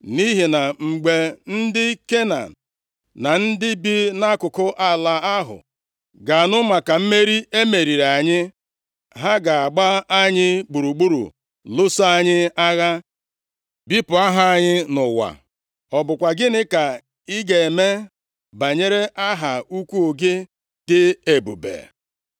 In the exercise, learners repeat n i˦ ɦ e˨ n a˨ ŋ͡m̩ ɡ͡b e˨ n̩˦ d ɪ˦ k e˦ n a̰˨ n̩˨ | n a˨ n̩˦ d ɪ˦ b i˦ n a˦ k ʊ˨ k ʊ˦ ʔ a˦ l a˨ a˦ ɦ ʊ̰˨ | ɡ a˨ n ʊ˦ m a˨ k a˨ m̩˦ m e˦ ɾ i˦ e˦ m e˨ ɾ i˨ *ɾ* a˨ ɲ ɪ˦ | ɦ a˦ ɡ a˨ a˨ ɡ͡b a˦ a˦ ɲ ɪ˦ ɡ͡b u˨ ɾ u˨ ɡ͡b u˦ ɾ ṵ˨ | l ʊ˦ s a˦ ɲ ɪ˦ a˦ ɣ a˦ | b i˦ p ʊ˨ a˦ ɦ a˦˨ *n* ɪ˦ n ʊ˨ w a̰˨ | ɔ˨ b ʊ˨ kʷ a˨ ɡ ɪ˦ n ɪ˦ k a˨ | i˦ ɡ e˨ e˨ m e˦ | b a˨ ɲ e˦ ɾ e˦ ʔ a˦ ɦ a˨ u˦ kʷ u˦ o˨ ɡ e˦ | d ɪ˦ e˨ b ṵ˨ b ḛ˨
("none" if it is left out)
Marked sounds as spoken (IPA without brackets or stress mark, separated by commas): ɾ, ɲ